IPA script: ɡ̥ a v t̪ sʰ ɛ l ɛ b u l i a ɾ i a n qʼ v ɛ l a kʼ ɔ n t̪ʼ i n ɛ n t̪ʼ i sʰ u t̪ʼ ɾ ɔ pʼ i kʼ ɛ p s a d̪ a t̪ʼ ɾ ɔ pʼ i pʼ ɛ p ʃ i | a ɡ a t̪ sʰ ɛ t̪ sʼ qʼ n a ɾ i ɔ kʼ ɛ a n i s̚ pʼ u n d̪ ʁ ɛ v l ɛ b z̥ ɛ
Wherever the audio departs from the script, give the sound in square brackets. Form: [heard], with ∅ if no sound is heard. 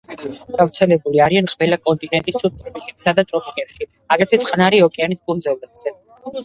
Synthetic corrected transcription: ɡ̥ a v t̪ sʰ ɛ l ɛ b u l i a ɾ i a n qʼ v ɛ l a kʼ ɔ n t̪ʼ i n ɛ n t̪ʼ i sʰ u t̪ʼ ɾ ɔ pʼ i kʼ ɛ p s a d̪ a t̪ʼ ɾ ɔ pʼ i [kʼ] ɛ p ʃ i | a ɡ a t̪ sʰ ɛ t̪ sʼ qʼ n a ɾ i ɔ kʼ ɛ a n i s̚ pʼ u n d̪ [z] ɛ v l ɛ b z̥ ɛ